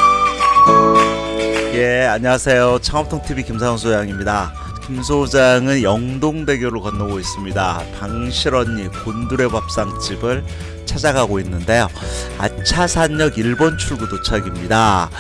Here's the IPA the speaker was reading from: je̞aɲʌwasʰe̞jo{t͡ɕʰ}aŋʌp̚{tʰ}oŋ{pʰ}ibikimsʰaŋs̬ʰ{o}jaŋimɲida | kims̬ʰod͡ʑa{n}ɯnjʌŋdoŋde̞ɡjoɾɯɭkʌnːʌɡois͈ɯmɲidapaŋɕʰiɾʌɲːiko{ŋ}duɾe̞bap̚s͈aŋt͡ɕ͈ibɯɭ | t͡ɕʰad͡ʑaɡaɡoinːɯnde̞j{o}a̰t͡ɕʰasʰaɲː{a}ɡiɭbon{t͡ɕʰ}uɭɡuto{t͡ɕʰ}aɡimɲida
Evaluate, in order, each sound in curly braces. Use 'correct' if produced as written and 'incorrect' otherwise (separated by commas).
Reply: correct, correct, incorrect, correct, incorrect, incorrect, correct, incorrect, correct, correct